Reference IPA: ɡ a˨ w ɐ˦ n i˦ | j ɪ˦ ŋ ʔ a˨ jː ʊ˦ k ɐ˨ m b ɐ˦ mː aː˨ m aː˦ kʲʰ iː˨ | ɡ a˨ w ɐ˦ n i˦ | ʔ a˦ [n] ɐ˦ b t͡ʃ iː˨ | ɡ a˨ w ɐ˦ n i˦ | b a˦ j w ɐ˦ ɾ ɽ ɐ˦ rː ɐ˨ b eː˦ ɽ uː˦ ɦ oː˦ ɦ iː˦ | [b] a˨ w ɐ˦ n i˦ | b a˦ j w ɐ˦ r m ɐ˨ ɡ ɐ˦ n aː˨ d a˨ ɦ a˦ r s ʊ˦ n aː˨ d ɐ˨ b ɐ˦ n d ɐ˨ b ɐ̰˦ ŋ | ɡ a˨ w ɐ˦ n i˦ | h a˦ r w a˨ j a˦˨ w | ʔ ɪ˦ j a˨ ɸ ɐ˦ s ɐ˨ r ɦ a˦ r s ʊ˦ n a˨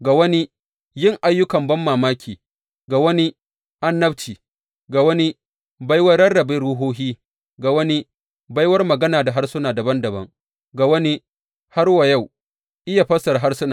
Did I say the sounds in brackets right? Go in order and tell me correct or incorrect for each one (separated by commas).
incorrect, incorrect